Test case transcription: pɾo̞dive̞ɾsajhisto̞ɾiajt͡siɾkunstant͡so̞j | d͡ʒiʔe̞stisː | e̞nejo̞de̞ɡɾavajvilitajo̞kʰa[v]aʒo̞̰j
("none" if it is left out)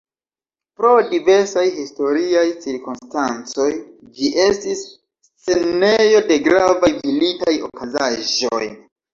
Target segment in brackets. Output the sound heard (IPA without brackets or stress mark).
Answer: z